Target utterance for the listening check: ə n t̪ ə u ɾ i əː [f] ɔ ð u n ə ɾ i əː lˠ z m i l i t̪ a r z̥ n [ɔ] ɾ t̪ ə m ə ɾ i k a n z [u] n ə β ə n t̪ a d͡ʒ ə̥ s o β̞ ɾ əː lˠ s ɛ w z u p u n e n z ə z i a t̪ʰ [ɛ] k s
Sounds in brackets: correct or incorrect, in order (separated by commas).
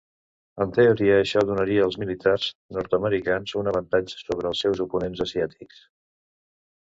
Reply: incorrect, correct, correct, incorrect